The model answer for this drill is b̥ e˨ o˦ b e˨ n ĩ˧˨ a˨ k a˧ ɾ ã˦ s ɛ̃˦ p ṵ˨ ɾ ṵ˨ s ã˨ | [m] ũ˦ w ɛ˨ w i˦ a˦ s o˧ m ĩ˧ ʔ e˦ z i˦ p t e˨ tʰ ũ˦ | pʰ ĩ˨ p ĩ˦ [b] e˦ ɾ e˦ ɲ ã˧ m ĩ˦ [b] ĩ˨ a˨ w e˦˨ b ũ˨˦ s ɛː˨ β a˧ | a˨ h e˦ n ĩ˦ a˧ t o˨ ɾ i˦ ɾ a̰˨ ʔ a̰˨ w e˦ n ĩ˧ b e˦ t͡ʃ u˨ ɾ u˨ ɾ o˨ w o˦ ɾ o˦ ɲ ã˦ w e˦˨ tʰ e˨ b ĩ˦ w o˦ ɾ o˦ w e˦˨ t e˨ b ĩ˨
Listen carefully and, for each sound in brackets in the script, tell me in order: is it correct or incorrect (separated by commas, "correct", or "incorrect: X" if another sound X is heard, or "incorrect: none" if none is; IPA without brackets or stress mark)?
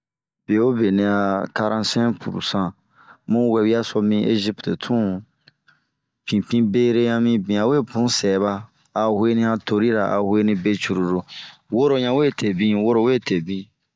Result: correct, correct, correct